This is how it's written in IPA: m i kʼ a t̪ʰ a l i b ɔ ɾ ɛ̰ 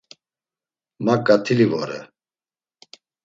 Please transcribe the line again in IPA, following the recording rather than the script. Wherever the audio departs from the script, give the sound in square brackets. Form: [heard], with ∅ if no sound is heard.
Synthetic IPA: m [a] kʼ a t̪ʰ [i] l i [v] ɔ ɾ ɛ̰